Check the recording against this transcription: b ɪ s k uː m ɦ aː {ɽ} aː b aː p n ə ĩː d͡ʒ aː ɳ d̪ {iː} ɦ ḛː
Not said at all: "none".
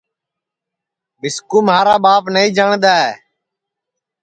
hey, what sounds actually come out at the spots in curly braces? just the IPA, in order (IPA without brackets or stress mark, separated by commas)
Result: ɾ, aː